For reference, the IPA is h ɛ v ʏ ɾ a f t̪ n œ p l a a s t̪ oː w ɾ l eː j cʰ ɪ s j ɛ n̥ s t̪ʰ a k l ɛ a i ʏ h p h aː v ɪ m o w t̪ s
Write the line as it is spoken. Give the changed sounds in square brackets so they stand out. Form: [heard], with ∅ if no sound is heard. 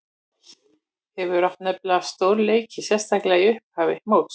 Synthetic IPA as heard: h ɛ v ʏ ɾ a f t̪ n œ p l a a s t̪ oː w ɾ l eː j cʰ ɪ s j ɛ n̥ s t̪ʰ a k l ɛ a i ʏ h p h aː v ɪ m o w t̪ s